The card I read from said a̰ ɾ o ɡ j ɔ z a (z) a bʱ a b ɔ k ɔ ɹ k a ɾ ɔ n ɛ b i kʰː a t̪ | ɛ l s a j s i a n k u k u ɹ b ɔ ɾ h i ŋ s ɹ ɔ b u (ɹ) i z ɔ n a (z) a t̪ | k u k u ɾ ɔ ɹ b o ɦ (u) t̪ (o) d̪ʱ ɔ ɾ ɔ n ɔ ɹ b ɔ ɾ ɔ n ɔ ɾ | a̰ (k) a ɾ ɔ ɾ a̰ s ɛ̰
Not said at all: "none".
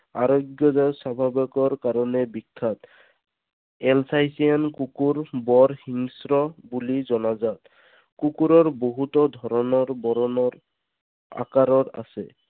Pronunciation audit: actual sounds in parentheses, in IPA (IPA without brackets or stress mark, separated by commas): s, l, z, u, ɔ, k